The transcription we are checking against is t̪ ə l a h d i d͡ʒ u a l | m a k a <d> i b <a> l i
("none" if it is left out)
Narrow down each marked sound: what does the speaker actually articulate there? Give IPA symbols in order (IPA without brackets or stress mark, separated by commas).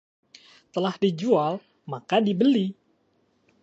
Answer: d, ə